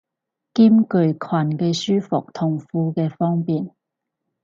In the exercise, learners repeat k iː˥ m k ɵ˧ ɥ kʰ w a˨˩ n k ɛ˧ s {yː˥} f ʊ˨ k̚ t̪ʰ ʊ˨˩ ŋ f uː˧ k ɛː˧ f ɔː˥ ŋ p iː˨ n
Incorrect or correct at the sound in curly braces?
correct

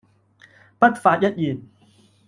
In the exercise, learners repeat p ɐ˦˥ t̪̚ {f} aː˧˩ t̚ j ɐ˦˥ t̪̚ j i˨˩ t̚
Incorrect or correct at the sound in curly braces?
correct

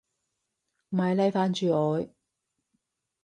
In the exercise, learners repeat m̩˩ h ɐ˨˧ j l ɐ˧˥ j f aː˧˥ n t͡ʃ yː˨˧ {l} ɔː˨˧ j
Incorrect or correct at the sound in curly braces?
incorrect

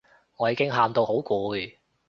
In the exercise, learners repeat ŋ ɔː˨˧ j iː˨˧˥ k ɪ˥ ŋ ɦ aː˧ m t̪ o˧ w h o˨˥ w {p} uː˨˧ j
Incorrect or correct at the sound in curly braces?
incorrect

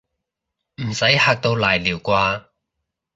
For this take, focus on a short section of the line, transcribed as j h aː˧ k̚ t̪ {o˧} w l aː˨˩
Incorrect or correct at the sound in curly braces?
correct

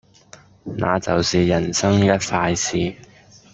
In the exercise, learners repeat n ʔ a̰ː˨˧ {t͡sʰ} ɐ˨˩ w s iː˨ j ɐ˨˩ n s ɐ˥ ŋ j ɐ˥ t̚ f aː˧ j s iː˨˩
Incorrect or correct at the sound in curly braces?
incorrect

